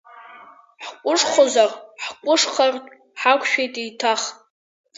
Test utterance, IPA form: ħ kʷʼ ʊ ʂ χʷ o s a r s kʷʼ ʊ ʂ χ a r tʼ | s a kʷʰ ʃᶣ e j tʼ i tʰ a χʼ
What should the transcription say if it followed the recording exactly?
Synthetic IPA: ħ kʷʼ ʊ ʂ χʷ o z a r ħ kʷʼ ʊ ʂ χ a r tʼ | ħ a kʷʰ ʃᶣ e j tʼ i tʰ a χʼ